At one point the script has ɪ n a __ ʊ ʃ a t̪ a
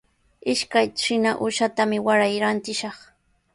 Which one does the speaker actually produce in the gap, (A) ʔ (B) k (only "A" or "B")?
A